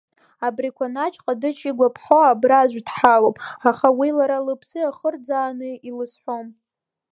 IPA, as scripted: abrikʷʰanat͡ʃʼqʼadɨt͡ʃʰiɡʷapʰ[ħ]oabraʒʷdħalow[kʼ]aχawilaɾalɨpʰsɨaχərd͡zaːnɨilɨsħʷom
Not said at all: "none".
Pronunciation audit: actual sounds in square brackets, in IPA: ħ, pʼ

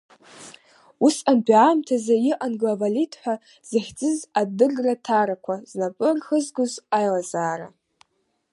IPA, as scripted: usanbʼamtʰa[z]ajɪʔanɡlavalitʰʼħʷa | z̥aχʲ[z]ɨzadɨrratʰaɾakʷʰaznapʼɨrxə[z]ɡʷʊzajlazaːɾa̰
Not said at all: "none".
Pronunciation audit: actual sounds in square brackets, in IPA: z, d͡z, z

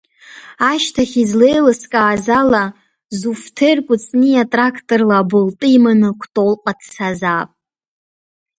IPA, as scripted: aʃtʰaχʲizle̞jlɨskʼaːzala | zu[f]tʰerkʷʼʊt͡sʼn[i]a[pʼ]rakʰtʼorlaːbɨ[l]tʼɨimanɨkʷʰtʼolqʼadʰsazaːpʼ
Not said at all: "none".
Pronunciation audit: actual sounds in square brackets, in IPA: f, i, tʼ, l

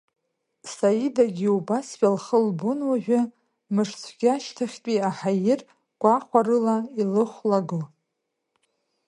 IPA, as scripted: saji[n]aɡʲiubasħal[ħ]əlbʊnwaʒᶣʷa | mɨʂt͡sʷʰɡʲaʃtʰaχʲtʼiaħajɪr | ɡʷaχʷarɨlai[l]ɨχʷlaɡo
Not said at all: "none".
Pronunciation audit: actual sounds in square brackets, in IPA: d, χ, l

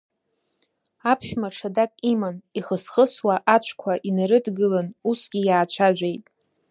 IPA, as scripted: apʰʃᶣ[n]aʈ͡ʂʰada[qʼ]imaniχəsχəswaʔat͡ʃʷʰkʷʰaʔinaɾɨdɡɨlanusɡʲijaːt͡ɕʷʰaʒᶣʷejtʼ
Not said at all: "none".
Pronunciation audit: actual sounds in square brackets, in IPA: m, kʼ

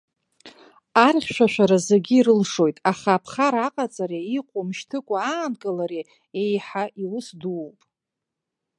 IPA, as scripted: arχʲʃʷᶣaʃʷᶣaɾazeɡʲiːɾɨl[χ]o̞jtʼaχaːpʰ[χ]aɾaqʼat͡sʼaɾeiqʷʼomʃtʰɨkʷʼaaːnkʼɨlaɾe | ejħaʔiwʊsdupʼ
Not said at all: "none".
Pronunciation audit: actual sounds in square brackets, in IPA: ʂ, χ

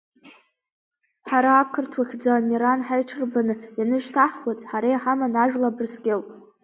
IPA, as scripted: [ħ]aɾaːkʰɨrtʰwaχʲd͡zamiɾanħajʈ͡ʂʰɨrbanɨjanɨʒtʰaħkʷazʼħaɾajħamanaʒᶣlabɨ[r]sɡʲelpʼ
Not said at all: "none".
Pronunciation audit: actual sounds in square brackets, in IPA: ħ, r

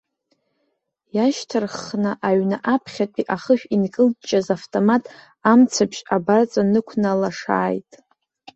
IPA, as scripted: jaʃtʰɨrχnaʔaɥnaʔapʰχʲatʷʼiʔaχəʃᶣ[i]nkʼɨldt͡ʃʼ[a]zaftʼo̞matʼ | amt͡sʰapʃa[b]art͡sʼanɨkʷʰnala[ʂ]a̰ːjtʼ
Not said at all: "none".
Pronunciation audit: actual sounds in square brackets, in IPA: i, a, b, ʂ

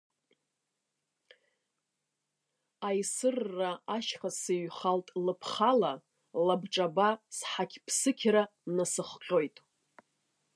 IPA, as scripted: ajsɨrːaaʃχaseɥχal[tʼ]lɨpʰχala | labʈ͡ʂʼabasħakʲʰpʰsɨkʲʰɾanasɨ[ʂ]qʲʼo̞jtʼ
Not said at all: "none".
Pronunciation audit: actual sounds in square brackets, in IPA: tʼ, χ

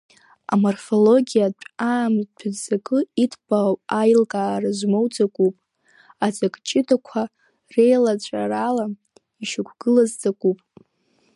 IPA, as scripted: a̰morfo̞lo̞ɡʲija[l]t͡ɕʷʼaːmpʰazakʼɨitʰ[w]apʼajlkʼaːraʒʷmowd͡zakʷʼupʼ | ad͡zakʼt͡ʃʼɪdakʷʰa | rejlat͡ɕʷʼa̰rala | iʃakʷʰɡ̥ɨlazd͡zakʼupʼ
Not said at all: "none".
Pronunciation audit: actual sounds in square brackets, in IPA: none, b

